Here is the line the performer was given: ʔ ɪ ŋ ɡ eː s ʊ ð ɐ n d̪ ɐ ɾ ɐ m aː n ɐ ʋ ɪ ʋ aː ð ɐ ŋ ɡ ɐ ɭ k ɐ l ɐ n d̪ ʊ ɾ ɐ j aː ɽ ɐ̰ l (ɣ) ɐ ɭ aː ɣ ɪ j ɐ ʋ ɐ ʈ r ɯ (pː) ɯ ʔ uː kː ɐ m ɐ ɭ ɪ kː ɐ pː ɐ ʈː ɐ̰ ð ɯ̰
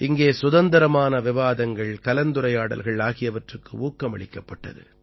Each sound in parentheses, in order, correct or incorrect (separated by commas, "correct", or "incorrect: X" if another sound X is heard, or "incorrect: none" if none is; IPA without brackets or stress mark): correct, incorrect: kː